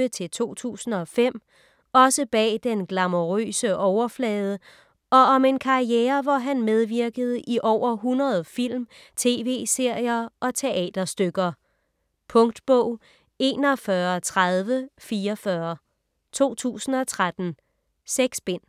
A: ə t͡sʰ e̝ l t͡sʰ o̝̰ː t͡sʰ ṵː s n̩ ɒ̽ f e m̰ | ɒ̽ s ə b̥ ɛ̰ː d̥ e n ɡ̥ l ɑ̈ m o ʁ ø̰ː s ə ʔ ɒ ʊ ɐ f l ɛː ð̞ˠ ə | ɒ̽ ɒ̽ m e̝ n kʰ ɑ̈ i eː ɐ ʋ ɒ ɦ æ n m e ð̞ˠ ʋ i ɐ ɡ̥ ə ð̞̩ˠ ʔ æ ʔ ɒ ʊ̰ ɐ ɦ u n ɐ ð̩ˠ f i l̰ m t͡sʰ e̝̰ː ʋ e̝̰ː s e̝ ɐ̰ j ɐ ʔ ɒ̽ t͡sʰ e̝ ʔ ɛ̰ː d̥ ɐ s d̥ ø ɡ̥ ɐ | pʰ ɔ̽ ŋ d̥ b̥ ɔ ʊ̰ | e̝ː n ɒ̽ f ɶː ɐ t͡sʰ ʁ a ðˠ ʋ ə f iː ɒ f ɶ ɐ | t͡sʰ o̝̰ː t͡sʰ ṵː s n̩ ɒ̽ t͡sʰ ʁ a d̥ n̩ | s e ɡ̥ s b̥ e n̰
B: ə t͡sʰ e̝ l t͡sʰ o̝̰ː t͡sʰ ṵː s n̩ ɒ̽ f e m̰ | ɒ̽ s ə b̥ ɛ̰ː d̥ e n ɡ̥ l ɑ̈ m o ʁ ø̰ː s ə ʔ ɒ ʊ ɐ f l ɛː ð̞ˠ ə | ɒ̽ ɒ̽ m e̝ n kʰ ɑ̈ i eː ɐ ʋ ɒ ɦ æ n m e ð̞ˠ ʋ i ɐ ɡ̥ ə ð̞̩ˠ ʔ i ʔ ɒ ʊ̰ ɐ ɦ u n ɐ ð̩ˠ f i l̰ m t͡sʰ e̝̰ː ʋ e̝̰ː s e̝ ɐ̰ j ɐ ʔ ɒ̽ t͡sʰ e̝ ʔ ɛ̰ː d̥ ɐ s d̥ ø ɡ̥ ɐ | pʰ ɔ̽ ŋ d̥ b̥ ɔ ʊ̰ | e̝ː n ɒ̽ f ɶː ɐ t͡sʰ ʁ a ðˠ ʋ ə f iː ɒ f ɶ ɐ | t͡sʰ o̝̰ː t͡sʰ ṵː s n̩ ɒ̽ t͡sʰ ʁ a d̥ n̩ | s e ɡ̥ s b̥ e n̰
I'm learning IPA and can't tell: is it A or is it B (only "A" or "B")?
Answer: B